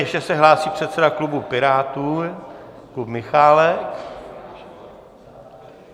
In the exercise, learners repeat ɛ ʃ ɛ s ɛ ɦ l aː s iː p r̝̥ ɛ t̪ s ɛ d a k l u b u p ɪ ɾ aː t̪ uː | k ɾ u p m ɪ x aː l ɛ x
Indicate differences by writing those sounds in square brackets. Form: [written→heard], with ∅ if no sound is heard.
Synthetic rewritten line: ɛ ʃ ɛ s ɛ ɦ l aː s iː p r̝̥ ɛ t̪ s ɛ d a k l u b u p ɪ ɾ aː t̪ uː | k [ɾ→l] u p m ɪ x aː l ɛ [x→k]